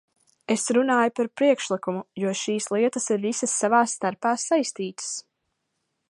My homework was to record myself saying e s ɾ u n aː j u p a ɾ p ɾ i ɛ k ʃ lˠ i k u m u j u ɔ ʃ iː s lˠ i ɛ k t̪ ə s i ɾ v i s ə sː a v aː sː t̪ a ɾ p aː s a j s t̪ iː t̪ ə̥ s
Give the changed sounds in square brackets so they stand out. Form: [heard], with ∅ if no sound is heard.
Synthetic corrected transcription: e s ɾ u n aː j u p a ɾ p ɾ i ɛ k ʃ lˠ i k u m u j u ɔ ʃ iː s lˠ i ɛ [∅] t̪ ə s i ɾ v i s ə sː a v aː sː t̪ a ɾ p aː s a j s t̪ iː t̪ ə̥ s